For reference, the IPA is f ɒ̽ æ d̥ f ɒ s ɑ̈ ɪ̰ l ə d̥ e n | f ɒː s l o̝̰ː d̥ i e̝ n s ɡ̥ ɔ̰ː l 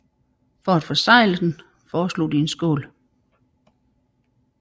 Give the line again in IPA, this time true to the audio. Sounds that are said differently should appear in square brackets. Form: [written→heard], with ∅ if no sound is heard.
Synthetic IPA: f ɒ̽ æ d̥ f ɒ s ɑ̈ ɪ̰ l ə d̥ e n | f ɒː s l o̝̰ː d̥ i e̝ n s ɡ̥ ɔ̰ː l